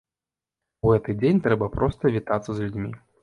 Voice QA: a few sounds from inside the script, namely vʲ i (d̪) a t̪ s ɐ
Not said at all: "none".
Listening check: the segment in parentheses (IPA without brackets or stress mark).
t̪